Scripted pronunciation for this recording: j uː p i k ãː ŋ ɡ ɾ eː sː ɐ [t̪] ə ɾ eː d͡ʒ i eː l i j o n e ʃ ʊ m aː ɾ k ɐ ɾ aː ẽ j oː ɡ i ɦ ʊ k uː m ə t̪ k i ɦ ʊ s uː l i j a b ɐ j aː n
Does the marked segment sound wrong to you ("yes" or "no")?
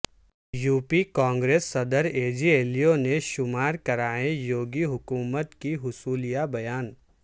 yes